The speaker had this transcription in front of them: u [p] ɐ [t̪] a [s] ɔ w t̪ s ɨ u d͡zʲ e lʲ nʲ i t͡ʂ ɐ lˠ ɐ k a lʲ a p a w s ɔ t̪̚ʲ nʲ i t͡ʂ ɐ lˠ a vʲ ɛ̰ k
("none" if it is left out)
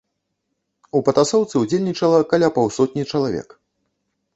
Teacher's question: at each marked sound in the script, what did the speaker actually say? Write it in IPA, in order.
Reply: p, t̪, s

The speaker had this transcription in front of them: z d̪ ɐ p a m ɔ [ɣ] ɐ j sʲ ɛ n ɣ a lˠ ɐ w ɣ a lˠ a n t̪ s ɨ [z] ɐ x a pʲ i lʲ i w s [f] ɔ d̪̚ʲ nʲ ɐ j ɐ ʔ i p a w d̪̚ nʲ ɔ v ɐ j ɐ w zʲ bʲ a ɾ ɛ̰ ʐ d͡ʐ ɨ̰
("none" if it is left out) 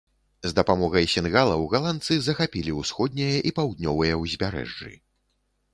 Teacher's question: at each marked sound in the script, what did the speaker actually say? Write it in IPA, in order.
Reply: ɣ, z, x

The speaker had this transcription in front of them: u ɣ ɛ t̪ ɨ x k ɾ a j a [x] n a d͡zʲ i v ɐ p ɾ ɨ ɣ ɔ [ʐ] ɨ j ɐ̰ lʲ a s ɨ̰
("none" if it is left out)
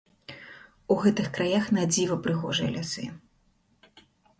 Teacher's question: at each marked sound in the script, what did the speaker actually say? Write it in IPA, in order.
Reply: x, ʐ

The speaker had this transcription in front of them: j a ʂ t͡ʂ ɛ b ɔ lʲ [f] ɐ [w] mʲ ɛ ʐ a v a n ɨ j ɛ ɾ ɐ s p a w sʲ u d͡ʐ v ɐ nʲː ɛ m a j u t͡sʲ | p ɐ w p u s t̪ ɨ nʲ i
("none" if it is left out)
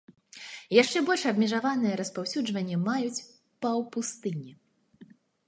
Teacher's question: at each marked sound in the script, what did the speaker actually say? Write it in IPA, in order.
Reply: ʂ, b

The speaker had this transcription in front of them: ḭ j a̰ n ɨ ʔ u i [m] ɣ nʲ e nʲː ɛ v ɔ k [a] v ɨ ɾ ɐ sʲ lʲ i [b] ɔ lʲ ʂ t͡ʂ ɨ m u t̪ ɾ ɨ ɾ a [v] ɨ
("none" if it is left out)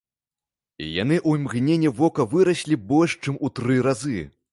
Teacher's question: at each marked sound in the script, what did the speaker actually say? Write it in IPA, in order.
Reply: m, ɐ, b, z

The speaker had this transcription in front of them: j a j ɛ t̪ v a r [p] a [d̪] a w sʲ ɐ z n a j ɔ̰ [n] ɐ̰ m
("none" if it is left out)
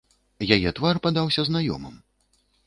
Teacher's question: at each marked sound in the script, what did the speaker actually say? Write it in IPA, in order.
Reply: p, d̪, m

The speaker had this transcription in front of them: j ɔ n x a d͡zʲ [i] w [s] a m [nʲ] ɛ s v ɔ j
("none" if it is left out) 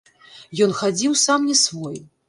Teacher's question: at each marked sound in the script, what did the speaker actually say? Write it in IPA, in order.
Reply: i, s, nʲ

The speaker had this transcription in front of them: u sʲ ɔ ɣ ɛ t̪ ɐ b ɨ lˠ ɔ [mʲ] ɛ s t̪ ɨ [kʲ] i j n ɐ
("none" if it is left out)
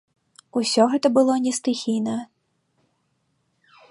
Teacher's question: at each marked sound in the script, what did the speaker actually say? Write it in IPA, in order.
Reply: nʲ, xʲ

